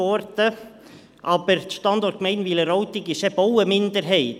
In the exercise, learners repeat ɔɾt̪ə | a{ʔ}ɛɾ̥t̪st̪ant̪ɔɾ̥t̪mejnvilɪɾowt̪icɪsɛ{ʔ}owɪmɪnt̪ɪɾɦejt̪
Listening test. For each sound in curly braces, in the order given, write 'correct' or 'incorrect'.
incorrect: p, incorrect: p

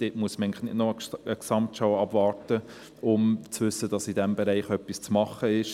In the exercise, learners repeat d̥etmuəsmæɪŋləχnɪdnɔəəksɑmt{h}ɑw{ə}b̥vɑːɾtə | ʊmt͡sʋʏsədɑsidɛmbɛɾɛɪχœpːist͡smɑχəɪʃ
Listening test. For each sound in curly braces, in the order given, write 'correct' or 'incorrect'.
incorrect: ʃ, incorrect: ɑ

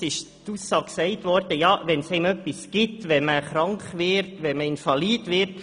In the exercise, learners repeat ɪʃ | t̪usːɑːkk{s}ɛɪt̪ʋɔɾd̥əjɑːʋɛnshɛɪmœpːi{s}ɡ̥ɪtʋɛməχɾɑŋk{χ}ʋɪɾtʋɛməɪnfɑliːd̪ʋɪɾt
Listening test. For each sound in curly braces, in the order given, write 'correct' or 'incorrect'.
correct, correct, correct

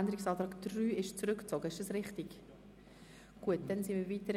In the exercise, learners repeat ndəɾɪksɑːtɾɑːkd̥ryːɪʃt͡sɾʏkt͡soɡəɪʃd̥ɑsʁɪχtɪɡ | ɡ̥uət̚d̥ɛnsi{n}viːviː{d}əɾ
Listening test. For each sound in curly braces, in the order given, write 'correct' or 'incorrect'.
correct, incorrect: t

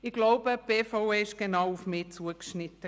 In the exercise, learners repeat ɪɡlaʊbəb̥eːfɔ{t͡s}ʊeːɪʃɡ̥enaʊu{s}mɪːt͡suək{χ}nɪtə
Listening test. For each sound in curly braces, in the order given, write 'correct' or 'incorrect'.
incorrect: none, incorrect: f, incorrect: ʃ

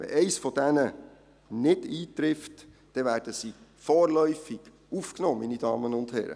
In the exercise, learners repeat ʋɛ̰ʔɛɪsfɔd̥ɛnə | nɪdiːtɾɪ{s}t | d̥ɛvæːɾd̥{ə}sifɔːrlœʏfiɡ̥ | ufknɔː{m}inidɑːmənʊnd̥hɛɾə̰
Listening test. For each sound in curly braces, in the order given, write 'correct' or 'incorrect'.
incorrect: f, correct, correct

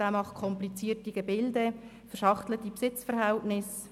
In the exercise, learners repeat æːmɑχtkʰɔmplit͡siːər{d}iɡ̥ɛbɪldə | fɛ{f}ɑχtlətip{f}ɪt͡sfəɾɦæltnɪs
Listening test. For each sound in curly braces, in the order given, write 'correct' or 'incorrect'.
incorrect: t, incorrect: ʃ, incorrect: s

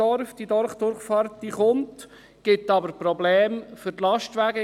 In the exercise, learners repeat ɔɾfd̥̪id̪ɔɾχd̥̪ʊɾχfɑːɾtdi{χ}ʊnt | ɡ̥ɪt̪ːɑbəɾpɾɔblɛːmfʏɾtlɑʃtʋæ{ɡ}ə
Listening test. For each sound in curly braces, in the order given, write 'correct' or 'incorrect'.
correct, correct

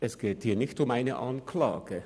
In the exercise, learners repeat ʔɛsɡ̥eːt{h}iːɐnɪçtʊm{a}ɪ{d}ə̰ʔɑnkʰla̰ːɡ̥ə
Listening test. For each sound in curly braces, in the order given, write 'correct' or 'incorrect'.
correct, correct, incorrect: n

